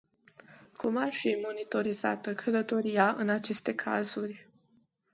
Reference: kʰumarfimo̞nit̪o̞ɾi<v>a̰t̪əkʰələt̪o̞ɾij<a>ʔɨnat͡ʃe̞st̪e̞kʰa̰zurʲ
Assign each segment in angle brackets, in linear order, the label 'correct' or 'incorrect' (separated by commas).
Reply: incorrect, correct